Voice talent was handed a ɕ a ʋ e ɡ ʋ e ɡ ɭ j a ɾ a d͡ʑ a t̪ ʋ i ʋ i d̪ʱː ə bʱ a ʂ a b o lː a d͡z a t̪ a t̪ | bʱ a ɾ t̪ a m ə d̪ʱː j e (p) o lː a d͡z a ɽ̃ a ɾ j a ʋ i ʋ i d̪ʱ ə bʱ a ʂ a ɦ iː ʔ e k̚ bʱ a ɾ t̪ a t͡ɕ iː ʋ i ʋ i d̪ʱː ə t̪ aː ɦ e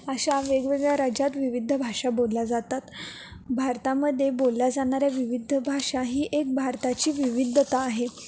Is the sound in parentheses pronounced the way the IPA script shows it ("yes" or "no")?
no